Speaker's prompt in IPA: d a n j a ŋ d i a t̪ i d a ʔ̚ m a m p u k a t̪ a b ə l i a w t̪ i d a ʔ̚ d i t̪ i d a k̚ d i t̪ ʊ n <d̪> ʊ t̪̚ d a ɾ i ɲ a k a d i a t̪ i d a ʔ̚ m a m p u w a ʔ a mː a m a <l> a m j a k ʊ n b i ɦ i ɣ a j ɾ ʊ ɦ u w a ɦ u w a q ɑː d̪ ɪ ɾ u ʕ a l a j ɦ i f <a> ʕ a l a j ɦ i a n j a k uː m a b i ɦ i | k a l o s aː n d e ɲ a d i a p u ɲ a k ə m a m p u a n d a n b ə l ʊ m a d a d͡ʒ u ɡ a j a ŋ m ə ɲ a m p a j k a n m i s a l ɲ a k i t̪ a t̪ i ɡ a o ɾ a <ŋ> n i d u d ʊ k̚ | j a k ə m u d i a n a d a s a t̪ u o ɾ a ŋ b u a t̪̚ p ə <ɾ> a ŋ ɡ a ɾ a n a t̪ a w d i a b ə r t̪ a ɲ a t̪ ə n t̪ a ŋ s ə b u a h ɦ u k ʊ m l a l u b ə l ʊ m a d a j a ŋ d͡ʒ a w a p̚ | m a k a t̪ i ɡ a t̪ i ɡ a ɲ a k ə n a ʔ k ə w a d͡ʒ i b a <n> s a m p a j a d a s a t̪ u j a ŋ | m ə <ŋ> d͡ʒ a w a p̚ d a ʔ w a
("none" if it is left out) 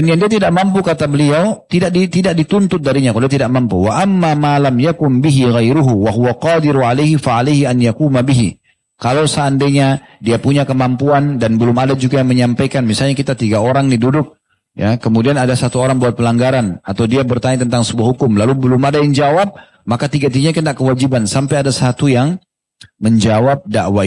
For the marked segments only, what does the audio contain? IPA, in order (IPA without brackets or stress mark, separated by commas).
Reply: t̪, l, a, ŋ, l, n, ɲ